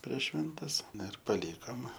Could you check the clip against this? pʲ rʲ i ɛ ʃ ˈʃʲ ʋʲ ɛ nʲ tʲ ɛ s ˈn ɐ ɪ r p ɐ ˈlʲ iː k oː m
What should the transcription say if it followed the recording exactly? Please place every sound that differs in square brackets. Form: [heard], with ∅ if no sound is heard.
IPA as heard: pʲ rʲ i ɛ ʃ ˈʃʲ ʋʲ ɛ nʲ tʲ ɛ s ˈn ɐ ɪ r p ɐ ˈlʲ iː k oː m